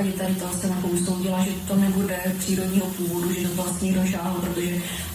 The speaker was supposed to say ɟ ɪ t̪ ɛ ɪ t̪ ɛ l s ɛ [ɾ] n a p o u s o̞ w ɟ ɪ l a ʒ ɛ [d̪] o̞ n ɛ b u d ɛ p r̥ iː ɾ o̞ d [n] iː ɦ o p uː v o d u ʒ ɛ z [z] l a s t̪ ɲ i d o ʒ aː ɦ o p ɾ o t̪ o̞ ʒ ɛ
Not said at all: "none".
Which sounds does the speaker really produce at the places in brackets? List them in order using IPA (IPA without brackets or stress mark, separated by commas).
none, t̪, ɲ, v